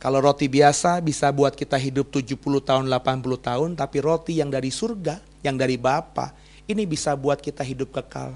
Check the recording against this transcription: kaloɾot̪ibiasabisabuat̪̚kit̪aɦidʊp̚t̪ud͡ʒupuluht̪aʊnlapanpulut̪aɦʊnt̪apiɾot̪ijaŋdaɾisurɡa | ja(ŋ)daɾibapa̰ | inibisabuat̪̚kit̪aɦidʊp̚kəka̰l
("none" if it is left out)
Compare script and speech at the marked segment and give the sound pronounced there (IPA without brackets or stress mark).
ŋ